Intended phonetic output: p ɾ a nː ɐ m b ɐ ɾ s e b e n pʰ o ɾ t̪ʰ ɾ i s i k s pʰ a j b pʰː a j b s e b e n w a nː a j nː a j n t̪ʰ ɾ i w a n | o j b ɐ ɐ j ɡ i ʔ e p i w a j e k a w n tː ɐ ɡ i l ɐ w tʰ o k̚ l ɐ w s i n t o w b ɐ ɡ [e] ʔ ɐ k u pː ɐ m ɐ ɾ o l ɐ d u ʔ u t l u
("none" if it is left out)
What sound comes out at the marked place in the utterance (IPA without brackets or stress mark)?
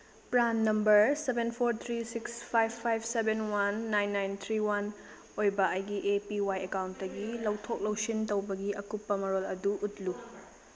i